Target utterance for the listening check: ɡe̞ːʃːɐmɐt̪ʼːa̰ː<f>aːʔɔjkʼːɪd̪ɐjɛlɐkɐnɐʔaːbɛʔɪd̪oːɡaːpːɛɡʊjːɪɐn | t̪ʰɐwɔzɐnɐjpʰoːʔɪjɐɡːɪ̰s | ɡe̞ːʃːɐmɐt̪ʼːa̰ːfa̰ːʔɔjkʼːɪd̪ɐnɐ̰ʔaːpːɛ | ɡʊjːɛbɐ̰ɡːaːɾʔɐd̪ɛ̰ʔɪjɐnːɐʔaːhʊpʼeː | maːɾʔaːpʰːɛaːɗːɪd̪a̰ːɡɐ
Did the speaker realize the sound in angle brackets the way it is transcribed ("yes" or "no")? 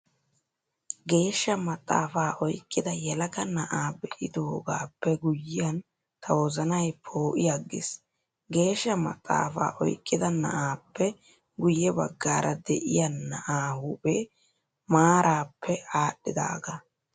yes